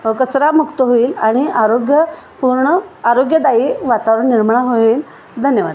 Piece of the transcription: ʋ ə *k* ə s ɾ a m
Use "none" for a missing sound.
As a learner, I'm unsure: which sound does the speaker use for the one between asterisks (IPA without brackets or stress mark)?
k